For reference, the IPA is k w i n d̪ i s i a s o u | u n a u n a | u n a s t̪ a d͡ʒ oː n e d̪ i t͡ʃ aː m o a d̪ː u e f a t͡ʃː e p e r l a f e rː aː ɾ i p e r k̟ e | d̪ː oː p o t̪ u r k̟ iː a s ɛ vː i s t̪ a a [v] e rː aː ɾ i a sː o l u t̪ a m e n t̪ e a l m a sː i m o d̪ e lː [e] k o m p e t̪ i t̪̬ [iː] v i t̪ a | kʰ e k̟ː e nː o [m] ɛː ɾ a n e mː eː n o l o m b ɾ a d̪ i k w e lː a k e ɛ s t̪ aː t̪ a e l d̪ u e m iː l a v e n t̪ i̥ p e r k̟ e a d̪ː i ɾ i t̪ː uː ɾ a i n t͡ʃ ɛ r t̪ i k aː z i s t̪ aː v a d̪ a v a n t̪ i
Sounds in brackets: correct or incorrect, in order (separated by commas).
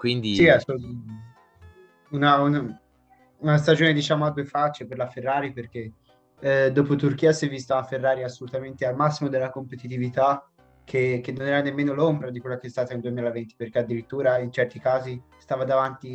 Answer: incorrect, incorrect, incorrect, incorrect